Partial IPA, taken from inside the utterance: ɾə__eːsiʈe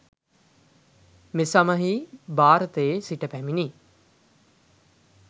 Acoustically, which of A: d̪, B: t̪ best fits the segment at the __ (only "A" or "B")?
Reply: B